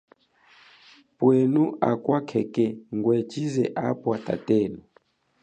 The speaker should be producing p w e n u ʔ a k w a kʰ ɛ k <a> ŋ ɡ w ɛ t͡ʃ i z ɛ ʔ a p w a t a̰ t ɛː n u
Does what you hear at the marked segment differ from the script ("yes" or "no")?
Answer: yes